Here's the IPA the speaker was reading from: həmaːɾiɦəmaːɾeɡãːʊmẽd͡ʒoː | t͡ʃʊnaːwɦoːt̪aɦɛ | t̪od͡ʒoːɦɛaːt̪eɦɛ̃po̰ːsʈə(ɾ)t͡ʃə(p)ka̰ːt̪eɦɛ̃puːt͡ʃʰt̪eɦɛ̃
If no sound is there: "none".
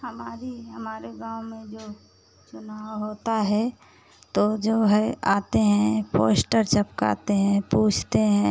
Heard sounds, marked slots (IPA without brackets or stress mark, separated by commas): ɾ, p